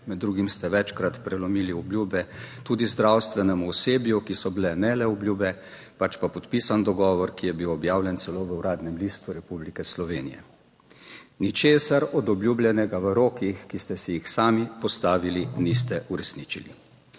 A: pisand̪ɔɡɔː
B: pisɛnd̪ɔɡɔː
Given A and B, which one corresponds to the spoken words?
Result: A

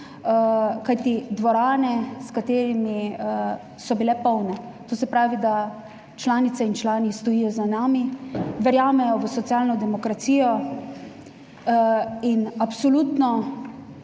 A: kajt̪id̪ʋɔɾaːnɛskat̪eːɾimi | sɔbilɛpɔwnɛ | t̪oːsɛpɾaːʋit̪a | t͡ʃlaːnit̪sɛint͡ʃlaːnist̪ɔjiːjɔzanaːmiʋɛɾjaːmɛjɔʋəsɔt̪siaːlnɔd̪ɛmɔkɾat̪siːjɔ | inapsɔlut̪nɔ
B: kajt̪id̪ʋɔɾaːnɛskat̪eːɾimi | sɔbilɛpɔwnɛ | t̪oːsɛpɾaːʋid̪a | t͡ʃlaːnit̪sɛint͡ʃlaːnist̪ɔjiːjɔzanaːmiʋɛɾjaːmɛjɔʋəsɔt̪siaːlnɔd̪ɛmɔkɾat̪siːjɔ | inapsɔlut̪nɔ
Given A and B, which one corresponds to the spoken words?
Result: B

